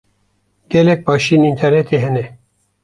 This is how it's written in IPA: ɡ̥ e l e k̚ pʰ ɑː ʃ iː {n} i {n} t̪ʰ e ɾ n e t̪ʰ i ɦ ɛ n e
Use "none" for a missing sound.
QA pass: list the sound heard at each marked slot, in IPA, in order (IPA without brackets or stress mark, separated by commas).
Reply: n, n